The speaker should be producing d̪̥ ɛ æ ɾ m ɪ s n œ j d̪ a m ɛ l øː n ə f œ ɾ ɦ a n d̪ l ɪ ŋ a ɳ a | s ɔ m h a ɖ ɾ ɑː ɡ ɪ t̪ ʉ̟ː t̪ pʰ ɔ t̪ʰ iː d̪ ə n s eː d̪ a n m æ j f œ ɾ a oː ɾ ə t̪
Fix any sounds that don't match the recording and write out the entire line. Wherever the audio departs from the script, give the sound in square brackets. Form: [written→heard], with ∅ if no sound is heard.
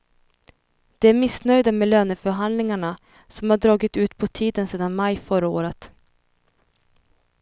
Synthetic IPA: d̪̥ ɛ æ ɾ m ɪ s n œ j d̪ a m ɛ l øː n ə f œ ɾ ɦ a n d̪ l ɪ ŋ a ɳ a | s ɔ m h a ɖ ɾ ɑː ɡ ɪ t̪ ʉ̟ː t̪ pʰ ɔ t̪ʰ iː d̪ ə n s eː d̪ a n m [æ→a] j f œ ɾ a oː ɾ ə t̪